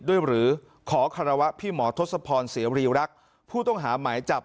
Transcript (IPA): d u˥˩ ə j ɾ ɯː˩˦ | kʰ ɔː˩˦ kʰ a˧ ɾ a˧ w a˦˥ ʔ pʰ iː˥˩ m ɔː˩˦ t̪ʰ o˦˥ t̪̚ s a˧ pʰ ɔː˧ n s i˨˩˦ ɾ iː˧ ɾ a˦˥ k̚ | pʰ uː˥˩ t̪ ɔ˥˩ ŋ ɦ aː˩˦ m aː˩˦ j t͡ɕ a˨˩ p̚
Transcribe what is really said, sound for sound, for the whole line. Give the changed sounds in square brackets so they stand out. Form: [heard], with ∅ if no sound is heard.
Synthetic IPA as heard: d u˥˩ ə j ɾ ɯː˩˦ | kʰ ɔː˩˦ kʰ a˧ ɾ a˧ w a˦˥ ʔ pʰ iː˥˩ m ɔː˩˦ t̪ʰ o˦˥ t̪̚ s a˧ pʰ ɔː˧ n s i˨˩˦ ɾ iː˧ ɾ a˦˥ k̚ | pʰ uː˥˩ t̪ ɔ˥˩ ŋ ɦ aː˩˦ m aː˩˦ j t͡ɕ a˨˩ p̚